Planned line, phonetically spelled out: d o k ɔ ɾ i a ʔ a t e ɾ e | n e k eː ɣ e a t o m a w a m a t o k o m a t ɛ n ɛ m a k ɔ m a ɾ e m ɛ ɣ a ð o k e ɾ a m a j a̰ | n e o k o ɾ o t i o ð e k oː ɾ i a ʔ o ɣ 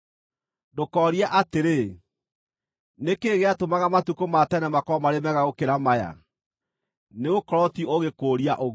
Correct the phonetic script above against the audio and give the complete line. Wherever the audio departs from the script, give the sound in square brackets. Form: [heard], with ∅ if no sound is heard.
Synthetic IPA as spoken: d o k ɔ ɾ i a ʔ a t e ɾ e | n e k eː ɣ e a t o m a [ɣ] a m a t [u] k o m a t ɛ n ɛ m a k ɔ m a ɾ e m ɛ ɣ a [ɣ] o k e ɾ a m a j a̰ | n e o k [ɔ] ɾ [ɔ] t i o [ɣ] e k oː ɾ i a ʔ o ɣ